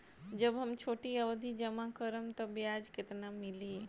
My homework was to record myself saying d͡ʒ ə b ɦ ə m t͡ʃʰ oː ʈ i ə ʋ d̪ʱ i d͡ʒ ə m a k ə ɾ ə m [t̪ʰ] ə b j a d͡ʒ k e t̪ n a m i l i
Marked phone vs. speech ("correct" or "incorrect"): incorrect